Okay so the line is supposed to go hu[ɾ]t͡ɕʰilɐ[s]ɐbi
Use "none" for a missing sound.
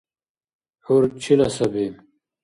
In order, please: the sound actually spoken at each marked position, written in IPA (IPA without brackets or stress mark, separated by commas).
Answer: ɾ, s